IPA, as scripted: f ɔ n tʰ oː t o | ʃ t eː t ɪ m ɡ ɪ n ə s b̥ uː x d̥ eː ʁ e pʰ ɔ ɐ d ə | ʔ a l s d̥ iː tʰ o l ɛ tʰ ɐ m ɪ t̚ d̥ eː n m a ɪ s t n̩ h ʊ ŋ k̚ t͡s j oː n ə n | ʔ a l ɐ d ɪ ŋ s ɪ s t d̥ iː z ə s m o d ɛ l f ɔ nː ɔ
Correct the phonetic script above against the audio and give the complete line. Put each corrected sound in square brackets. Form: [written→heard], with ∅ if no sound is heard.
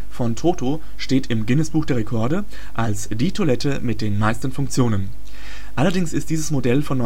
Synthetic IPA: f ɔ n tʰ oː t o | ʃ t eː t ɪ m ɡ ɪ n ə s b̥ uː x d̥ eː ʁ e [pʰ→kʰ] ɔ ɐ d ə | ʔ a l s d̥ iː tʰ o l ɛ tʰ [ɐ→ə] m ɪ t̚ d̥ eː n m a ɪ s t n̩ [h→f] ʊ ŋ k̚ t͡s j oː n ə n | ʔ a l ɐ d ɪ ŋ s ɪ s t d̥ iː z ə s m o d ɛ l f ɔ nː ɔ